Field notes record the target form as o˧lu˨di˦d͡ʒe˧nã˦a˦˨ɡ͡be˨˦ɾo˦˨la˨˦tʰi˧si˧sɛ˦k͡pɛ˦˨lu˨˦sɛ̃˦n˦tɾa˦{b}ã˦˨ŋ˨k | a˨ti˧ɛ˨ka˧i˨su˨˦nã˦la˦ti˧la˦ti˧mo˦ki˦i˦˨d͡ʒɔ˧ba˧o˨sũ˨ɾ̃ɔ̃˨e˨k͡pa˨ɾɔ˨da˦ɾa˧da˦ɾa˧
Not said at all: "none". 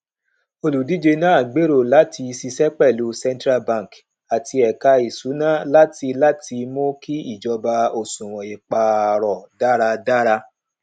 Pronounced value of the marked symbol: b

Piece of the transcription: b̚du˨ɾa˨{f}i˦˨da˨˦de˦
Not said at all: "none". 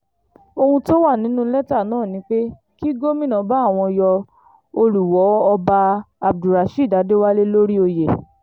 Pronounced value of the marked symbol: ʃ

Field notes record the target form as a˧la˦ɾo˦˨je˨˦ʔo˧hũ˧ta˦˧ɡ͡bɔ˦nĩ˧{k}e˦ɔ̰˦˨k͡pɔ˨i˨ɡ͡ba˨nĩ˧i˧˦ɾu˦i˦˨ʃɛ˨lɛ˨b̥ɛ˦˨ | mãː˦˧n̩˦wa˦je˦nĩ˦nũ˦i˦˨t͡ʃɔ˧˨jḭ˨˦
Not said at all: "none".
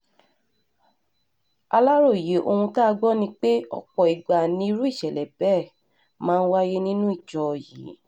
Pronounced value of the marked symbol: k͡p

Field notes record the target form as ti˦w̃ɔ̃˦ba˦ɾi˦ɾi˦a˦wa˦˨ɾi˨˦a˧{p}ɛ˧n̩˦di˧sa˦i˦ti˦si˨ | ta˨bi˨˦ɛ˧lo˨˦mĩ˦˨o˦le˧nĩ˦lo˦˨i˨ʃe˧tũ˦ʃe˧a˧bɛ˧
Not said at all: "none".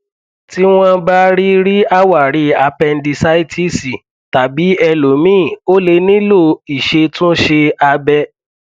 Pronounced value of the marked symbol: p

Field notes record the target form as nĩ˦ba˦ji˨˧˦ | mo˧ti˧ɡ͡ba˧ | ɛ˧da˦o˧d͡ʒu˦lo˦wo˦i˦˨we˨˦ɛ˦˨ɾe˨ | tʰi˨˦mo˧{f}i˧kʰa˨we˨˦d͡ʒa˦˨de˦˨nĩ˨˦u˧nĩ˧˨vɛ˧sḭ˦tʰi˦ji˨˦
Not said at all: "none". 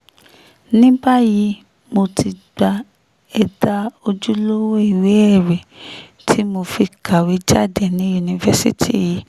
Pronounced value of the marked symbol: f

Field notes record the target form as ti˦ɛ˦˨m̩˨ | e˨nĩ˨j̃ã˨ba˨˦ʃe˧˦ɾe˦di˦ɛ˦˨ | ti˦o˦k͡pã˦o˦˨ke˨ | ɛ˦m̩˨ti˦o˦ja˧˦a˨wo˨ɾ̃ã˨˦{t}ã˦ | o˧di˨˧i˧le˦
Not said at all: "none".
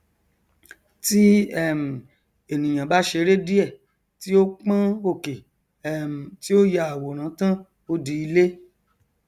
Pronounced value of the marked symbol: t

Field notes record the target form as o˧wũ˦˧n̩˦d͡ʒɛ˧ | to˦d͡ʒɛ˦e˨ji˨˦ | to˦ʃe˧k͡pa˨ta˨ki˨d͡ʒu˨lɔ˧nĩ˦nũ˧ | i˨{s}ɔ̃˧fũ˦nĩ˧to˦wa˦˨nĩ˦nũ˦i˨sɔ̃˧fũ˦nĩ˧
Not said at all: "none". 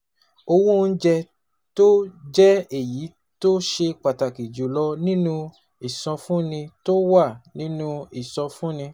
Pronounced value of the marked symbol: s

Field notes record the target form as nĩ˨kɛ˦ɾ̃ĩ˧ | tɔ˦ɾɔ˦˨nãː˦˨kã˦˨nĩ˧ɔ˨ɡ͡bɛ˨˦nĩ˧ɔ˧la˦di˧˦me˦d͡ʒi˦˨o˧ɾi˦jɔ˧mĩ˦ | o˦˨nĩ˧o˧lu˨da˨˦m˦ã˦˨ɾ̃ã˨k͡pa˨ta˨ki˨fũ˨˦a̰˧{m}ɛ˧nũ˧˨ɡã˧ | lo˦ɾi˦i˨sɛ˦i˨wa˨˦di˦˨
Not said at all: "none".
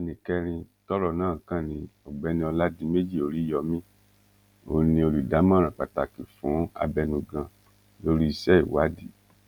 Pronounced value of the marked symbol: b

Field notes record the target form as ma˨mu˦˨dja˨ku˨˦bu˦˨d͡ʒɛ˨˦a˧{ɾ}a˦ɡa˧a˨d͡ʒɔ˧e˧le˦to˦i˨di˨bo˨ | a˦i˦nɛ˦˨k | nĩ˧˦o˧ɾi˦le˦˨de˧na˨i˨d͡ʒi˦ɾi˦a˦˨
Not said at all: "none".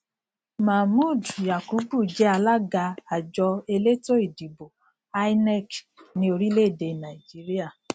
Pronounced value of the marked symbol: l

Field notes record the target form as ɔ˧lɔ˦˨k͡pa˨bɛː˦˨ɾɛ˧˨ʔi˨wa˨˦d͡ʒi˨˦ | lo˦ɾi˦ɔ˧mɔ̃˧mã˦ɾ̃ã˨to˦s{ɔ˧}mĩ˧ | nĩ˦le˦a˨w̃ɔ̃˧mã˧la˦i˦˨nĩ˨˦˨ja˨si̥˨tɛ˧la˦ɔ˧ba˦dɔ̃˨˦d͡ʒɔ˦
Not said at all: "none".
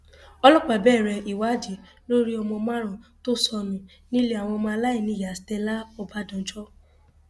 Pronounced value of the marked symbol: ɔ˧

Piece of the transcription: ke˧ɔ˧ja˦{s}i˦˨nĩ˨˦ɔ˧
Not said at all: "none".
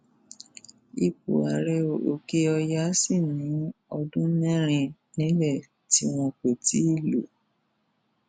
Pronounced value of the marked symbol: s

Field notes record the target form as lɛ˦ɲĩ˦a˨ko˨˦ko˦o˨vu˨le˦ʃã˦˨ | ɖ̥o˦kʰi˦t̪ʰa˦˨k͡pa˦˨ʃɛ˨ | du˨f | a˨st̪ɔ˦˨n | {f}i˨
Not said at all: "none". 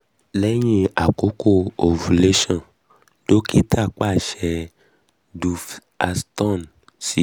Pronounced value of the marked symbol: s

